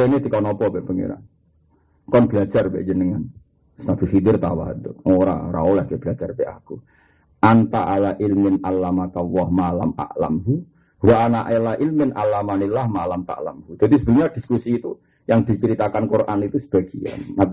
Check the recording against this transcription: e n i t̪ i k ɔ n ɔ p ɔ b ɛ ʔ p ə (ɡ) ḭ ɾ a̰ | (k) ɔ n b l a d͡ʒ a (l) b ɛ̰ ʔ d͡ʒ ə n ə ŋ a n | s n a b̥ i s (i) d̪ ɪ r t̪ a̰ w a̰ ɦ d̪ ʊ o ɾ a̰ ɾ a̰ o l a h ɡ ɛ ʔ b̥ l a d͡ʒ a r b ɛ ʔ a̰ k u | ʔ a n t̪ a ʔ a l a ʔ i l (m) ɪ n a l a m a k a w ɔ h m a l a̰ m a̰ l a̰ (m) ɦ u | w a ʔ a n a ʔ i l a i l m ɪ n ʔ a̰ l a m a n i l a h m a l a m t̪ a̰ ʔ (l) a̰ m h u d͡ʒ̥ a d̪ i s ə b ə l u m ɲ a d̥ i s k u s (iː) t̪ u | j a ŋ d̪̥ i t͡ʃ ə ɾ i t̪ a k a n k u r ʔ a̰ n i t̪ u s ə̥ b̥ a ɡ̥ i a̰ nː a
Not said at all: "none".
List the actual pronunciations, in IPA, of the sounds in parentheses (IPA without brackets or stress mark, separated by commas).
ŋ, k, r, i, m, m, l, iː